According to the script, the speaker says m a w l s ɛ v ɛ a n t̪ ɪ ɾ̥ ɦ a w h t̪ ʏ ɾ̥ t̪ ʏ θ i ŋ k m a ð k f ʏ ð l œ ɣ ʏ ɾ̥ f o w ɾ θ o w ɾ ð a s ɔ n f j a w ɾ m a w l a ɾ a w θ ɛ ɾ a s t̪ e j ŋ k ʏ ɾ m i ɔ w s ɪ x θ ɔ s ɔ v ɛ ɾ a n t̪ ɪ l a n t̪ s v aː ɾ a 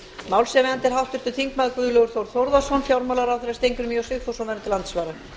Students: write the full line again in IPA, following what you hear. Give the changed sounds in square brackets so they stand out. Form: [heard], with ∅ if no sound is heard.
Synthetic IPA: m a w l s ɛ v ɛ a n t̪ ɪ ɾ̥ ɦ a w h t̪ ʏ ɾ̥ t̪ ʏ θ i ŋ k m a ð k [v] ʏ ð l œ ɣ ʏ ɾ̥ [θ] o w ɾ θ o w ɾ ð a s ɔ n f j a w ɾ m a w l a ɾ a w θ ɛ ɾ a s t̪ e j ŋ k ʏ ɾ m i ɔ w s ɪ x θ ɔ s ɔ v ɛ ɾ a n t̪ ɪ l a n t̪ s v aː ɾ a